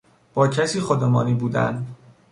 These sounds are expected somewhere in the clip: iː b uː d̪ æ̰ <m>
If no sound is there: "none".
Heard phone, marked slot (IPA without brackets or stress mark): n